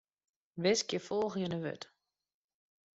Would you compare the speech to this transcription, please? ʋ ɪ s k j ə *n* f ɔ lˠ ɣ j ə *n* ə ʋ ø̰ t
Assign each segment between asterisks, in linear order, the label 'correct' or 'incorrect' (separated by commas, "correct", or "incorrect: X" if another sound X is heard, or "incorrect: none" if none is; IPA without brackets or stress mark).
incorrect: none, correct